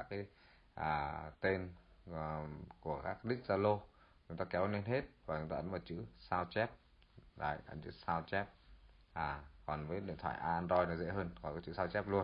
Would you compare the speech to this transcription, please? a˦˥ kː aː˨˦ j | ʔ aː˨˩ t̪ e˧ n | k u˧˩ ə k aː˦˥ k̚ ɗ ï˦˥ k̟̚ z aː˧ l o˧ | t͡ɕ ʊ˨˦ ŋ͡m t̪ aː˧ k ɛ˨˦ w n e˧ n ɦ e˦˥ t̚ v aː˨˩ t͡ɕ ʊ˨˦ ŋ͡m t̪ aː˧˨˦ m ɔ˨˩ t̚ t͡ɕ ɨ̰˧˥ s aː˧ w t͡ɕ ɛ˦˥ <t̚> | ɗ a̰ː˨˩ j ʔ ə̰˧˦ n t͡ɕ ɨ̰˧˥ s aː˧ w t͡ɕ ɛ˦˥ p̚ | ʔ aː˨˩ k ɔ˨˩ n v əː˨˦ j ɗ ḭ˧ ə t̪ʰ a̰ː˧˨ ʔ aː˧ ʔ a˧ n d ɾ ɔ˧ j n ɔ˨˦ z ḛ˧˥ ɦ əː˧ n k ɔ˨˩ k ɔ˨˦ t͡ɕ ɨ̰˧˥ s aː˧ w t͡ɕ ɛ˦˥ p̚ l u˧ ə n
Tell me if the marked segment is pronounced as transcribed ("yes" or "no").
no